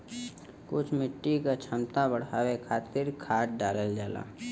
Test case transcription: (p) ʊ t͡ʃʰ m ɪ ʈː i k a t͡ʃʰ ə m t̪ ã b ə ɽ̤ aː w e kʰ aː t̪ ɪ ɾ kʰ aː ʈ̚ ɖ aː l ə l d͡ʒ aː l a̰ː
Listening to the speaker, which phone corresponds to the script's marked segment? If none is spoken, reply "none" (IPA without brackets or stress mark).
k